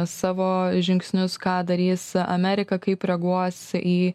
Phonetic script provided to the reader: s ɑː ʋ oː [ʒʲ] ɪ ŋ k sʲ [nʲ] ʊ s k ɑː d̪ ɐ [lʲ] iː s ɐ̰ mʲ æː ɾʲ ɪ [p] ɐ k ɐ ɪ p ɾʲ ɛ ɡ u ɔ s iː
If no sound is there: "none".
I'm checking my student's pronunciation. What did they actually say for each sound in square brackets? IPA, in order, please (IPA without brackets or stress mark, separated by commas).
ʒʲ, nʲ, ɾʲ, k